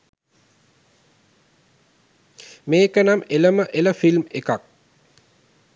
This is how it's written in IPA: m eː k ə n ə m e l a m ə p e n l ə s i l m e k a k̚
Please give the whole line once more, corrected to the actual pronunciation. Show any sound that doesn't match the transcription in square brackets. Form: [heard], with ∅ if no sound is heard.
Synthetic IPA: m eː k ə n [a] m e l [ə] m ə [ʔ] e [∅] l ə [f] i l m e k a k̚

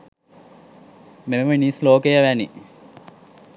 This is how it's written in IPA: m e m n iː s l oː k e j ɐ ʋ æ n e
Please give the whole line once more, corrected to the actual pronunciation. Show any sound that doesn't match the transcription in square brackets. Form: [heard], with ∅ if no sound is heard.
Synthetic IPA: m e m n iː s l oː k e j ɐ ʋ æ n [i]

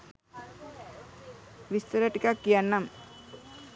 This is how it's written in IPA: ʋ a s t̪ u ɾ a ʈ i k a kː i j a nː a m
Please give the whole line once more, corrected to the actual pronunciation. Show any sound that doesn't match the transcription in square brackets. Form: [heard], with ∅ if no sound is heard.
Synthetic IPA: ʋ [i] s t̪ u ɾ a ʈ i k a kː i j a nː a m

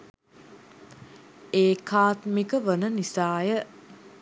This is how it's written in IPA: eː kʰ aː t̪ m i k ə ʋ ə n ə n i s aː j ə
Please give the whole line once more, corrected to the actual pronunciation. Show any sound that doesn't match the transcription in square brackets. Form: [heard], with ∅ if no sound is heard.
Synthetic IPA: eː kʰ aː t̪ m i k ə ʋ ə n ə n i s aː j ə

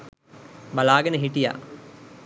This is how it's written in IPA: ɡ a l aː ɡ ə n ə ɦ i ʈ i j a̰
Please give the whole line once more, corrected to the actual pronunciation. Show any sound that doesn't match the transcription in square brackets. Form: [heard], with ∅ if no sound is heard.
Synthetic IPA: [b] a l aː ɡ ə n ə ɦ i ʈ i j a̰

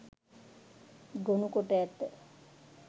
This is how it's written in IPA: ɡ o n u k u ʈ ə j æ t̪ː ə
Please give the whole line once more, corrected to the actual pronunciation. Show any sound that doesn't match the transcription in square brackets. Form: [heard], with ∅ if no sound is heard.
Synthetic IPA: ɡ o n u k [o] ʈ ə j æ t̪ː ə

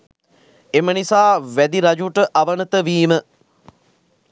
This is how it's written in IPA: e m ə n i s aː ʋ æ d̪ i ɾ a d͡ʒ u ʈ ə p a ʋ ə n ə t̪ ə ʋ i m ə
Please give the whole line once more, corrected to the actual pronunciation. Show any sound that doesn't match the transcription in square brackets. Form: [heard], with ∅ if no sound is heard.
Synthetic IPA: e m ə n i s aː ʋ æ d̪ i ɾ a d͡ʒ u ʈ ə [ʔ] a ʋ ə n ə t̪ ə ʋ [iː] m ə

